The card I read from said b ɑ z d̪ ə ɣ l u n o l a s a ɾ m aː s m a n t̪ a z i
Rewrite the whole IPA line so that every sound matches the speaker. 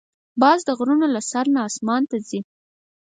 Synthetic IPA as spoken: b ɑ z d̪ ə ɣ ɾ u n o l a s a ɾ n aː s m ɑ n t̪ a z i